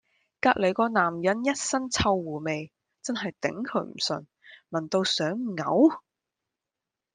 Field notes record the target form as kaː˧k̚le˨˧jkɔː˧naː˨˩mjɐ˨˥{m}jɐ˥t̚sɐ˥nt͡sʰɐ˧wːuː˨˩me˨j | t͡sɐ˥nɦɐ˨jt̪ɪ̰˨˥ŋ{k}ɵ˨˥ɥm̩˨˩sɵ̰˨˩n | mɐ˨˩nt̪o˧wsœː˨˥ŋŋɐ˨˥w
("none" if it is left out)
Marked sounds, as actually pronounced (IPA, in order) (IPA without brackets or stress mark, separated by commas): n, kʰ